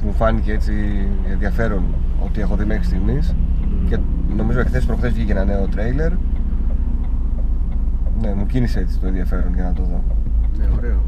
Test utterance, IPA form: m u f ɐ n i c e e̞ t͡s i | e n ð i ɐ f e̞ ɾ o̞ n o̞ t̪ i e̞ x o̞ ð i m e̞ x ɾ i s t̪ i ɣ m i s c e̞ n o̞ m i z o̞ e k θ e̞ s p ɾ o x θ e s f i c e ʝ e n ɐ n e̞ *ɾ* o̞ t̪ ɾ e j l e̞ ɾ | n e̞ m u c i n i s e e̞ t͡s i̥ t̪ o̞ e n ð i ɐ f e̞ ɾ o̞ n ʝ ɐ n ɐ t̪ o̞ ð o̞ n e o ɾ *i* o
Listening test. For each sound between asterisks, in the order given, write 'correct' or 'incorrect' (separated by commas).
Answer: incorrect, incorrect